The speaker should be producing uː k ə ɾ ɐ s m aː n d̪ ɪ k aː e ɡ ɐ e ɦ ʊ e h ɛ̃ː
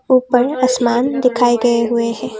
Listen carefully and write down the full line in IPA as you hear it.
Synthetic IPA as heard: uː p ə ɾ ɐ s m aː n d̪ ɪ kʰ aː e ɡ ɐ e ɦ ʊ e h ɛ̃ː